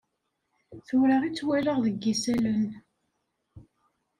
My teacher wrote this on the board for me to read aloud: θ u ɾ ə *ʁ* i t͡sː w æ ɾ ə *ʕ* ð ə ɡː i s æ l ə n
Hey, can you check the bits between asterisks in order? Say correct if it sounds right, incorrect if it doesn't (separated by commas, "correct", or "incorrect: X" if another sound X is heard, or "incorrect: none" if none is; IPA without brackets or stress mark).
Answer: correct, incorrect: ʁ